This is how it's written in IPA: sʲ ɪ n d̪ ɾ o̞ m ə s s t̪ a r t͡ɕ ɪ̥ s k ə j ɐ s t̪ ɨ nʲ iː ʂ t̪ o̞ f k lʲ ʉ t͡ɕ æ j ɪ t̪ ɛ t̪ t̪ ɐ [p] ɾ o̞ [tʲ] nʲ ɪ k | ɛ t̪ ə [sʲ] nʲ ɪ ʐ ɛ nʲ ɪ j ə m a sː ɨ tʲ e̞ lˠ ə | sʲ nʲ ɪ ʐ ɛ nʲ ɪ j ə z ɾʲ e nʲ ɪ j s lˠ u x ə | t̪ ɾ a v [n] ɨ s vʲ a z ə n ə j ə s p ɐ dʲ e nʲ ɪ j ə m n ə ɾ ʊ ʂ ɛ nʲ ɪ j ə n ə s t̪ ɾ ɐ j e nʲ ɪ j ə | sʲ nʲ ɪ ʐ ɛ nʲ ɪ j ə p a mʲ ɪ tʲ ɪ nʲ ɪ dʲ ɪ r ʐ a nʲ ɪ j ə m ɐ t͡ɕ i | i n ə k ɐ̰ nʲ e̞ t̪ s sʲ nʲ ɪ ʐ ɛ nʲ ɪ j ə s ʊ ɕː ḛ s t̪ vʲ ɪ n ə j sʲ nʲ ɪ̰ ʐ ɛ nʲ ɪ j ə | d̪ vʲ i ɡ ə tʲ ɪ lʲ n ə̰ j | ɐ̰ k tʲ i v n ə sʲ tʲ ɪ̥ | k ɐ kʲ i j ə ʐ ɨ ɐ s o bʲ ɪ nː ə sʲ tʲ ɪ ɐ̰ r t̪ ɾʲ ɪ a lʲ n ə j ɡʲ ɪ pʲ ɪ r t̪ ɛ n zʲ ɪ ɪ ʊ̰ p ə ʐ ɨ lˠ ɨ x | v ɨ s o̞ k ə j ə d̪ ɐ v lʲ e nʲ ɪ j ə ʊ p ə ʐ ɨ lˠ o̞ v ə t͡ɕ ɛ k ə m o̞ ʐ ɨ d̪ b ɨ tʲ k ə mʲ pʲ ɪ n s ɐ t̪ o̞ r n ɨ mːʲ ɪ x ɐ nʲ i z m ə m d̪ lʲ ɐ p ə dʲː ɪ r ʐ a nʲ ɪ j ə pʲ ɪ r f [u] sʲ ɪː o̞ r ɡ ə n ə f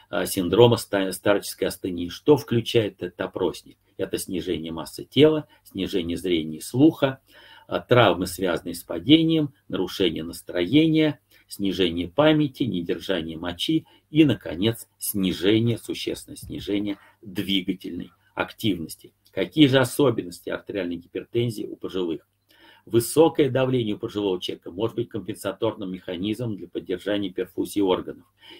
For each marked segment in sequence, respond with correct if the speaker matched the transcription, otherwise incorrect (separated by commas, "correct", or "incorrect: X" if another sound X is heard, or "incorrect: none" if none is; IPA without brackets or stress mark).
correct, incorrect: sʲ, correct, incorrect: m, correct